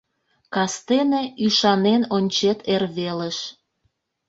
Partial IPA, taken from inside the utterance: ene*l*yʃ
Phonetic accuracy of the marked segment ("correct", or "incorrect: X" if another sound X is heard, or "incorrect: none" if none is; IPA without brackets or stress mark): incorrect: none